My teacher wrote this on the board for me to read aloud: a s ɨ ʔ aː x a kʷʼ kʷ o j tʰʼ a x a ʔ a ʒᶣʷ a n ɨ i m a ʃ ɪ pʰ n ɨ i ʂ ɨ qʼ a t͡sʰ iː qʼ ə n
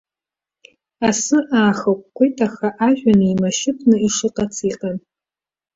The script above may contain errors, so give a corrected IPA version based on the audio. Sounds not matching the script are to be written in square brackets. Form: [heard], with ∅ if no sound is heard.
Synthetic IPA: a s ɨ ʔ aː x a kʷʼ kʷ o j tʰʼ a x a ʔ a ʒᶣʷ a n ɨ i m a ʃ ɪ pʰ n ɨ i ʂ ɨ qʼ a t͡sʰ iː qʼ [a] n